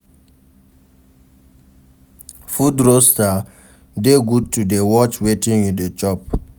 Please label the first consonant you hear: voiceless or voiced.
voiceless